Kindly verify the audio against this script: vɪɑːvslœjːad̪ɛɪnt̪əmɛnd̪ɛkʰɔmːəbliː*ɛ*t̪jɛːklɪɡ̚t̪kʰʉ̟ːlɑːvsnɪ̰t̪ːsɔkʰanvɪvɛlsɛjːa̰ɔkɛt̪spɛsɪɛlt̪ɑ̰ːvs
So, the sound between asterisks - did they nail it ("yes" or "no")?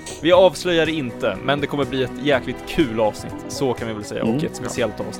yes